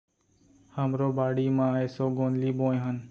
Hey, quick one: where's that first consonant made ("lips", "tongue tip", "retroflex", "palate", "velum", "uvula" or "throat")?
throat